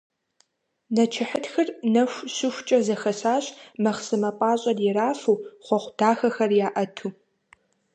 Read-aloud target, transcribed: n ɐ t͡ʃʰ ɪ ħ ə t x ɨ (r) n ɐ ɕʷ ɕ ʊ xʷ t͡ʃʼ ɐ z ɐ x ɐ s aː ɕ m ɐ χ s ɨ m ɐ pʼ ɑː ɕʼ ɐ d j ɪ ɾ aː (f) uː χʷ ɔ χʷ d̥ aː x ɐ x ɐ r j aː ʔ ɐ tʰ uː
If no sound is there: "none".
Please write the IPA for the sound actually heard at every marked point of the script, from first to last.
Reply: r, f

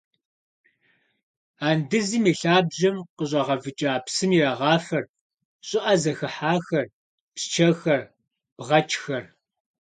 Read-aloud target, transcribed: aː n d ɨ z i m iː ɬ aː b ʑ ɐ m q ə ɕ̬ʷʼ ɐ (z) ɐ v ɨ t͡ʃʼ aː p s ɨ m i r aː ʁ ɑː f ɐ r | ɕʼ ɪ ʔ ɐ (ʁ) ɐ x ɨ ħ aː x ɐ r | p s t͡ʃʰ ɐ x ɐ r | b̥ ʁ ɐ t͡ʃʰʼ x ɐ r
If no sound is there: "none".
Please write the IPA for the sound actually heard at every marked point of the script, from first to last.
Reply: ʁ, z

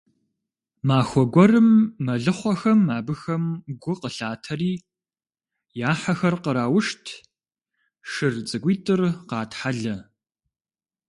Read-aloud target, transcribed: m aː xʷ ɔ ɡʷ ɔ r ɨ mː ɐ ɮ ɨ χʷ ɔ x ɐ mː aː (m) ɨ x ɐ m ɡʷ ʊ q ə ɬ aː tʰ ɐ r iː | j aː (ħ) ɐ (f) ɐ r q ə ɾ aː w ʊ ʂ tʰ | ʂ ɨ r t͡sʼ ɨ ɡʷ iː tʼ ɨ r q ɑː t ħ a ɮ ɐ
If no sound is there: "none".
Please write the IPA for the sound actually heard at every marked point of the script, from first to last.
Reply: b, ħ, x

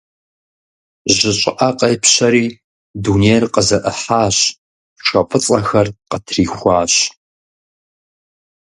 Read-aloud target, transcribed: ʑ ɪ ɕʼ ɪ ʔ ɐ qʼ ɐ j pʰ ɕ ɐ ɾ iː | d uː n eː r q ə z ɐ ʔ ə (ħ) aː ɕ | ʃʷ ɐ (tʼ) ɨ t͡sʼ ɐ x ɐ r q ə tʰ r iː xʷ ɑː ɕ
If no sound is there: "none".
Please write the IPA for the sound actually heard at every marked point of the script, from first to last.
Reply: ħ, pʼ

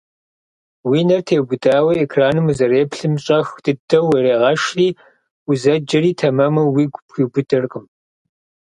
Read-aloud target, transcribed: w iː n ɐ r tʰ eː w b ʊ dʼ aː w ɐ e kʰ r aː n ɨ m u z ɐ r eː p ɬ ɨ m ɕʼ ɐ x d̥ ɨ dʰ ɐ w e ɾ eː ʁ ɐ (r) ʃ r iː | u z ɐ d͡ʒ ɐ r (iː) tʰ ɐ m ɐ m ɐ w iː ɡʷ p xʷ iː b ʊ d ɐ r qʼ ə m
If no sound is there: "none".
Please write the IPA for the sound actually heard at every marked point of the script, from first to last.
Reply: none, iː

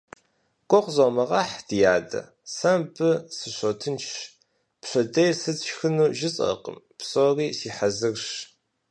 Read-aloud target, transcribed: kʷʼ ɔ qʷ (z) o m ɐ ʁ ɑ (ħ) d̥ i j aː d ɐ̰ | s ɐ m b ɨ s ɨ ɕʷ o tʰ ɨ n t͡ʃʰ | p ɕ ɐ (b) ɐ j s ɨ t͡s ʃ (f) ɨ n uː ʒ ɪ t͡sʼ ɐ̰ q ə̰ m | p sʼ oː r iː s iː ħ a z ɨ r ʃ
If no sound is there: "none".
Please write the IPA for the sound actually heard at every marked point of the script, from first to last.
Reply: z, ħ, d, x

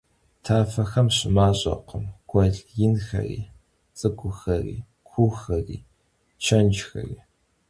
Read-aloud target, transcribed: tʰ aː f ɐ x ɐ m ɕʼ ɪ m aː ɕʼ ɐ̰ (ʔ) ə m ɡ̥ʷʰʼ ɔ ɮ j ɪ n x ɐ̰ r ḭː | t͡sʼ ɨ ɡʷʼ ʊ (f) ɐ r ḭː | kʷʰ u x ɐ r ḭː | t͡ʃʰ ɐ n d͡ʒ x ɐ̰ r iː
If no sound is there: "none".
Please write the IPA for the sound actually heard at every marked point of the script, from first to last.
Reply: q, x

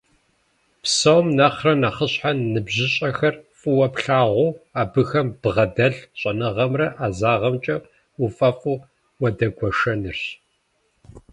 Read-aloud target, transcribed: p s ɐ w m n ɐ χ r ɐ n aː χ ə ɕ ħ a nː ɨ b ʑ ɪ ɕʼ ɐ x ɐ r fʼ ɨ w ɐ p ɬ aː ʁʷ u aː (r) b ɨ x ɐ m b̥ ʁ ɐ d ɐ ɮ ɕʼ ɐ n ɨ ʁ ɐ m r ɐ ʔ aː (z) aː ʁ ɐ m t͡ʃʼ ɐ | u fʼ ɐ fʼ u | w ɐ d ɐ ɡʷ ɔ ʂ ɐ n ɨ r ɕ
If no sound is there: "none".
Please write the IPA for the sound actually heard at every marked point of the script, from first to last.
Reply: none, z

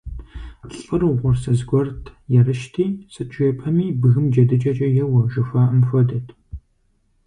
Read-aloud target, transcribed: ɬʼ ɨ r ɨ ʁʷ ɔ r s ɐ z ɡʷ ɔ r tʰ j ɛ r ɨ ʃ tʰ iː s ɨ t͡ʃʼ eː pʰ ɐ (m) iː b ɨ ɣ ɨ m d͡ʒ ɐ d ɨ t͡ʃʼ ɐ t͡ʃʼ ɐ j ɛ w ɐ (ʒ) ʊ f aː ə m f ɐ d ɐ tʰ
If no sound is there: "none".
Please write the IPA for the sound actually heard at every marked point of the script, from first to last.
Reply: m, ʒ

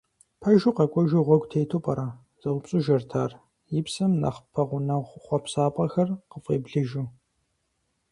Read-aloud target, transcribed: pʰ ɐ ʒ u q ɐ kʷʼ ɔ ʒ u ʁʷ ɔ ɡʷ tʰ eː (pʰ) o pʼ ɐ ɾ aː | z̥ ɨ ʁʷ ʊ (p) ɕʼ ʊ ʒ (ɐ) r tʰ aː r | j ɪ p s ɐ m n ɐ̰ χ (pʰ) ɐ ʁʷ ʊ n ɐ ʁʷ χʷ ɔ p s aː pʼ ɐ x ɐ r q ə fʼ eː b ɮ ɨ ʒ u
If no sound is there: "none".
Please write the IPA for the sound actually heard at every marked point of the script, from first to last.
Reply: tʰ, p, ɐ, pʰ

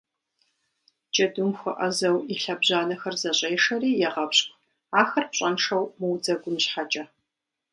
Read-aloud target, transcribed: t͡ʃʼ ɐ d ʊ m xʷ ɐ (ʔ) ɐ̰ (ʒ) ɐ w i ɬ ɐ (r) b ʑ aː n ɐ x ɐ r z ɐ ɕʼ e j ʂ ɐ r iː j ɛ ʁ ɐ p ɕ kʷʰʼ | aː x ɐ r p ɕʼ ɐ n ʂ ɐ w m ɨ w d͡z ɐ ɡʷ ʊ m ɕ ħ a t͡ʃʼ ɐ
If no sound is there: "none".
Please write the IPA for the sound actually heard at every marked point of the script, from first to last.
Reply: ʔ, z, none

